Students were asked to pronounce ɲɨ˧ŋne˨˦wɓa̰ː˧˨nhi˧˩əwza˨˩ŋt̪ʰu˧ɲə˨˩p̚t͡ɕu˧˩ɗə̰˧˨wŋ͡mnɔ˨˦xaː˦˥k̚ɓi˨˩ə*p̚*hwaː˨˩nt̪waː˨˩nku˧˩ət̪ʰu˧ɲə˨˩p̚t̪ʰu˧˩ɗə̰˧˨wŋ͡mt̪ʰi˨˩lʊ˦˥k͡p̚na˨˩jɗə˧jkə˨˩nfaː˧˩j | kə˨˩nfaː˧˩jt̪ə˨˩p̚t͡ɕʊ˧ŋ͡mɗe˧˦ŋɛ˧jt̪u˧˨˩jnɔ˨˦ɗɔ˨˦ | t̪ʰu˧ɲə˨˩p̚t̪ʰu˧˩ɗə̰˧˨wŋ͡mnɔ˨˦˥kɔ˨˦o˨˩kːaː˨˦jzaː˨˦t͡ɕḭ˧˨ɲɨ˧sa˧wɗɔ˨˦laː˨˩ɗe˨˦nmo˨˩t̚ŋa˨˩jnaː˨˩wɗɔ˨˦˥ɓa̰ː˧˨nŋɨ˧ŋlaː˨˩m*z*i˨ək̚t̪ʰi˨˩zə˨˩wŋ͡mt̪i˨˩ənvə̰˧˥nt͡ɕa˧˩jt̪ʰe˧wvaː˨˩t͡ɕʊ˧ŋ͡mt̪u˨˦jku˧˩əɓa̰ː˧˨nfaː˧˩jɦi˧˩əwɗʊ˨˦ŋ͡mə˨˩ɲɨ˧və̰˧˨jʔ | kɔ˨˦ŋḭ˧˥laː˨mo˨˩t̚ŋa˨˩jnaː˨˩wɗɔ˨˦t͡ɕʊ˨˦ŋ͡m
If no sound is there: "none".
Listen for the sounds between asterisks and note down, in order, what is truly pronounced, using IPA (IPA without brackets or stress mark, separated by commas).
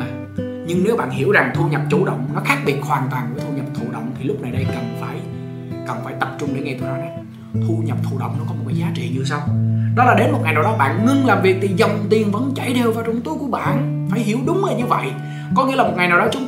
t̚, v